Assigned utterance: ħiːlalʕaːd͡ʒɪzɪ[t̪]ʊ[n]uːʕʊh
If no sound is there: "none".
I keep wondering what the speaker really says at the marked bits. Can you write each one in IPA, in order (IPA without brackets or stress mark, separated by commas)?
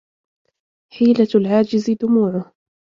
d̪, m